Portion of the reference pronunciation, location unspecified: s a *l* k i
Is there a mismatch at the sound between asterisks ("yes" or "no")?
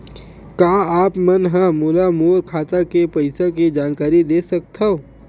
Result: yes